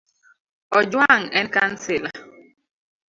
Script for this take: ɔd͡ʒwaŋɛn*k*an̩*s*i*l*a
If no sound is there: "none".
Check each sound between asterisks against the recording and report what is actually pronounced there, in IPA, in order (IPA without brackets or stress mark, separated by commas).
k, s, l